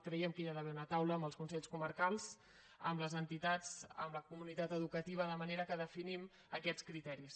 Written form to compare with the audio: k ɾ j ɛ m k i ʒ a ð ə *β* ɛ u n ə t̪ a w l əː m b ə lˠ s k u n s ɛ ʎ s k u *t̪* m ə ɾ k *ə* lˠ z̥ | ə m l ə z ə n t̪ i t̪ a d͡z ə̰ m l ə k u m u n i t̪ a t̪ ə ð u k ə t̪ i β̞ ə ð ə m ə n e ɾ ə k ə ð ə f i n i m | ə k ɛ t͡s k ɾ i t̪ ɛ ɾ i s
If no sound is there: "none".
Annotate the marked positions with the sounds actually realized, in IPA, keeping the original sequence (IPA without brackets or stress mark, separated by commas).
β, none, a